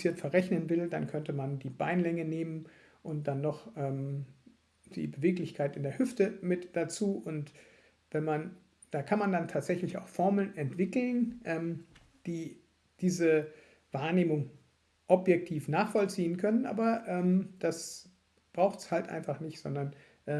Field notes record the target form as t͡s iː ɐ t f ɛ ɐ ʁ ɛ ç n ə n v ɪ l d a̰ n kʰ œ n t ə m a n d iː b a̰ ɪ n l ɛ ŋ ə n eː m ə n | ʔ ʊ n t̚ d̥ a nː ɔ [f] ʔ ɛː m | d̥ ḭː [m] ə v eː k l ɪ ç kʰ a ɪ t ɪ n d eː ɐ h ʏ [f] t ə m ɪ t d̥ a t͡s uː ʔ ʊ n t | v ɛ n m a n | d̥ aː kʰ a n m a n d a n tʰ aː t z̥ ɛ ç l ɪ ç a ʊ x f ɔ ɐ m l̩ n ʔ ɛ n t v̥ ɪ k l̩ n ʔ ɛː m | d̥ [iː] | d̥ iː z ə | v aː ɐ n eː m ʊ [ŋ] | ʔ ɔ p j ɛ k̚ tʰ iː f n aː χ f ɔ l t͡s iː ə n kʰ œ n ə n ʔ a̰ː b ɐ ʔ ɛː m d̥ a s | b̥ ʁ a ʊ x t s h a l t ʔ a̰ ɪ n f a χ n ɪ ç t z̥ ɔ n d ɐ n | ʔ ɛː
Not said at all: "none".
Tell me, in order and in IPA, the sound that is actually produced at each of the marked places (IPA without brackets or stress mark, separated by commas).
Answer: χ, b, f, iː, ŋ